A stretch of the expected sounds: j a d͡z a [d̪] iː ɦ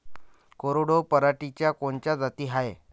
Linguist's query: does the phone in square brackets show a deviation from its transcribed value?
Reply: yes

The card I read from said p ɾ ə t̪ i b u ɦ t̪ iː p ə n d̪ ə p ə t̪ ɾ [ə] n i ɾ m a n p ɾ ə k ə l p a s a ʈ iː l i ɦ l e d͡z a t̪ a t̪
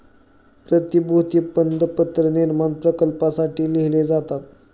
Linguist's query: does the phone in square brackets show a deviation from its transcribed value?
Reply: no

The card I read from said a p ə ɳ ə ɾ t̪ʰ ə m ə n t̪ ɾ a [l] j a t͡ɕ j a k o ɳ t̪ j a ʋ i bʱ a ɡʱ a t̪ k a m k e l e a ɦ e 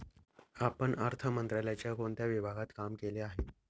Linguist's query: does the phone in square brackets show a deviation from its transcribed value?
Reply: no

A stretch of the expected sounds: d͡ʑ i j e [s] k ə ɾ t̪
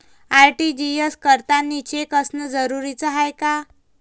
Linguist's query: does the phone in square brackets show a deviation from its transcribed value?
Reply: no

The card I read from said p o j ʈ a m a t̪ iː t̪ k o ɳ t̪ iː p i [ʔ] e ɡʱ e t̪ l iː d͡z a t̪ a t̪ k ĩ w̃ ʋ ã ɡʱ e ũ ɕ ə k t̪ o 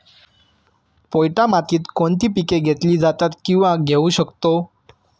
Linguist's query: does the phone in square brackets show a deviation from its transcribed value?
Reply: yes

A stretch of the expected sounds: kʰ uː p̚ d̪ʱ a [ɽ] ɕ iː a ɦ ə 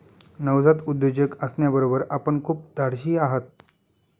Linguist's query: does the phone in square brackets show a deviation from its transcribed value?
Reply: no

